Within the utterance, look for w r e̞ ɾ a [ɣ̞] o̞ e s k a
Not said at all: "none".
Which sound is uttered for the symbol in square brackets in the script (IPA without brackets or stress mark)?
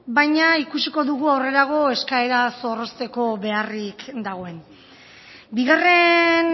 ɣ̞